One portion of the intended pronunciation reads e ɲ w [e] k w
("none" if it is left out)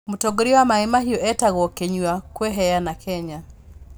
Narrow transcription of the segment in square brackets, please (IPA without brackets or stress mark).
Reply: a